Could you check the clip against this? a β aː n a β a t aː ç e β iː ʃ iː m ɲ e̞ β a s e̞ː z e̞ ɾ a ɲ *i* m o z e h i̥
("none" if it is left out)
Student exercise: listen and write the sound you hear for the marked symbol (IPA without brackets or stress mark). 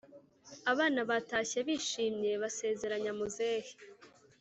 a